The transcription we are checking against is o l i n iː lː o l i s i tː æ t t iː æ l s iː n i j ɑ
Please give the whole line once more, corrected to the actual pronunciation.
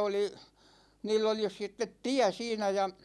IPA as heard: o l i n iː lː o l i s i tː e t t i æ s iː n æ j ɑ